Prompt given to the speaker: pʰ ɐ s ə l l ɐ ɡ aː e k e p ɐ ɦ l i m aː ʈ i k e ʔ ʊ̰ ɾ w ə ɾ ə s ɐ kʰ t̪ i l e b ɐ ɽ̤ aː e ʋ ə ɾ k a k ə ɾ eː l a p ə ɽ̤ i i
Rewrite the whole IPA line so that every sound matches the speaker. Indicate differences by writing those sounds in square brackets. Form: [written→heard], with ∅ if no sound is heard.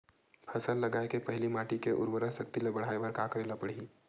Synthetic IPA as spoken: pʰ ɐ s ə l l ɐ ɡ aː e k e p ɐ ɦ l i m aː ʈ i k e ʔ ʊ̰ ɾ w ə ɾ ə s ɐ [kʰ→k] t̪ i l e b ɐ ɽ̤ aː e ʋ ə ɾ k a k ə ɾ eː l a p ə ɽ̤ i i

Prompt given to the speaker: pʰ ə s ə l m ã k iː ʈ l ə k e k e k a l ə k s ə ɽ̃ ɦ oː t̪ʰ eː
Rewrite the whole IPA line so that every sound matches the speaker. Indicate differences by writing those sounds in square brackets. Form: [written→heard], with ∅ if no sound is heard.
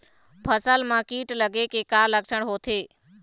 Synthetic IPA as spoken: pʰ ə s ə l m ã k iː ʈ l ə [k→ɡ] e k e k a l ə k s ə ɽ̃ ɦ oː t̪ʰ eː

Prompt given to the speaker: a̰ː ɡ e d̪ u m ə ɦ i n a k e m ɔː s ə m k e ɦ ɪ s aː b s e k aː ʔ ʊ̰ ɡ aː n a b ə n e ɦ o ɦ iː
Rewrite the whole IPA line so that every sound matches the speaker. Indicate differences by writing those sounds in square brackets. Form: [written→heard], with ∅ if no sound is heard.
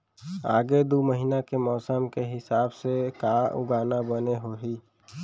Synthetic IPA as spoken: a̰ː ɡ e d̪ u m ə ɦ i n a k e m ɔː s ə m k e ɦ ɪ s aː b s e k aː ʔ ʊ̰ ɡ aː n a b ə n e ɦ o ɦ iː

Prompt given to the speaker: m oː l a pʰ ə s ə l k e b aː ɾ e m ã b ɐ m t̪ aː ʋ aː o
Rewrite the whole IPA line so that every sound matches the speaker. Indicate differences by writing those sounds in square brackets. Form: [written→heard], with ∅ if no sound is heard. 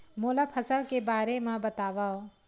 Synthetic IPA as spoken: m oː l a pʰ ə s ə l k e b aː ɾ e m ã b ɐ [m→∅] t̪ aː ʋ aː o

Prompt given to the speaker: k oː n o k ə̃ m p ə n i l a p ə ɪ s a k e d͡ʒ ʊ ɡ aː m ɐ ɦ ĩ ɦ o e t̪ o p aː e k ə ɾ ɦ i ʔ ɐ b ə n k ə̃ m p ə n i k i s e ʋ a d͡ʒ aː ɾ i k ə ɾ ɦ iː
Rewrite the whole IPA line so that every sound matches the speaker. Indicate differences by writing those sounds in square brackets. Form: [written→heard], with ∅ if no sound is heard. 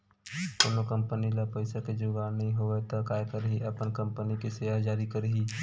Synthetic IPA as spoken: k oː n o k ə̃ m p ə n i l a p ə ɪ s a k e d͡ʒ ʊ ɡ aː [m→n] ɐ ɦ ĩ ɦ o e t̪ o [p→k] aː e k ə ɾ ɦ i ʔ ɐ [b→p] ə n k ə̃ m p ə n i k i s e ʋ a d͡ʒ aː ɾ i k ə ɾ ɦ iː

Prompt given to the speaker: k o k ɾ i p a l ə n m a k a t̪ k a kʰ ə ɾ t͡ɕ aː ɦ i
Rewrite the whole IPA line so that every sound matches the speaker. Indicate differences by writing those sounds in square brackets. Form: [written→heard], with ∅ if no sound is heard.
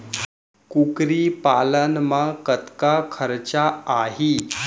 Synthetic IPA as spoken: k [o→u] k ɾ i p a l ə n m a k [a→ə] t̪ k a kʰ ə ɾ t͡ɕ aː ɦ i

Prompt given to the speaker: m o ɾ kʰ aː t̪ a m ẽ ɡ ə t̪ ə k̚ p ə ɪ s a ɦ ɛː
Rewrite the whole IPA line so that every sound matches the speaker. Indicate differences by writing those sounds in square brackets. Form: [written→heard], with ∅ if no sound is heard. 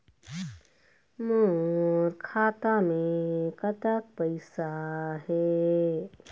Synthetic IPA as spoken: m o ɾ kʰ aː t̪ a m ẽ [ɡ→k] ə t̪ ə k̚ p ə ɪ s a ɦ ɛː

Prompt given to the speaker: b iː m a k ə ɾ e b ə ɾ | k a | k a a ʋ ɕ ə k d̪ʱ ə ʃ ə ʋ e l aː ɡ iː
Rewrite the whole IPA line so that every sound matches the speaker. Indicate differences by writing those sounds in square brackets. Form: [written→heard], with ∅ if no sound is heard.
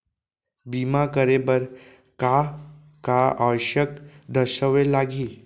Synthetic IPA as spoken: b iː m a k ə ɾ e b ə ɾ | k a | k a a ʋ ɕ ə k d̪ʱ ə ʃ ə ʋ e l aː ɡ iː

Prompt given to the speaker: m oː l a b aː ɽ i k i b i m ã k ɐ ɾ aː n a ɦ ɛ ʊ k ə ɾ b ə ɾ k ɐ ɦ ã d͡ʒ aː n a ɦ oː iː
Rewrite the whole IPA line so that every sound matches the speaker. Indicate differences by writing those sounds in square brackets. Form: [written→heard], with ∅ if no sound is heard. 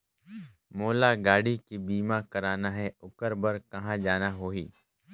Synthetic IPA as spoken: m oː l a [b→ɡ] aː ɽ i k i b [i→iː] m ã k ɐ ɾ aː n a ɦ ɛ ʊ k ə ɾ b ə ɾ k ɐ ɦ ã d͡ʒ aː n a ɦ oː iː

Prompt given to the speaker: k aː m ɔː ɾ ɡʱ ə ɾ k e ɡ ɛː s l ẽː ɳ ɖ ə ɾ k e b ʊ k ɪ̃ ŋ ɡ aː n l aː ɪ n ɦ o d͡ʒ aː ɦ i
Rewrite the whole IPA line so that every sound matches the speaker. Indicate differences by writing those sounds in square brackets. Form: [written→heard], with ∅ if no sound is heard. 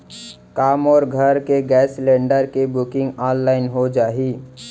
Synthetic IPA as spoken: k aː m ɔː ɾ ɡʱ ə ɾ k e ɡ ɛː s l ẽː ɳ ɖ ə ɾ k e b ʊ k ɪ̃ ŋ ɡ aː n l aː ɪ n ɦ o d͡ʒ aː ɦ i

